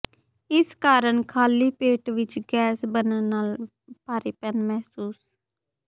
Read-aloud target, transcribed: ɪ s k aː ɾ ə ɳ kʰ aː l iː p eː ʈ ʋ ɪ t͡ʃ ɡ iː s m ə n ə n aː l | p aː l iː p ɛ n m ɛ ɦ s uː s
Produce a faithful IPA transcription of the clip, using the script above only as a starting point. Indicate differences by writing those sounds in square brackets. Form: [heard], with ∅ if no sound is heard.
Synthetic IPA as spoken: ɪ s k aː ɾ ə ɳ kʰ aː l iː p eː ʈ ʋ ɪ t͡ʃ ɡ [ɛː] s [b] ə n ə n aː l | p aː [ɾ] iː p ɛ n m ɛ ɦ s uː s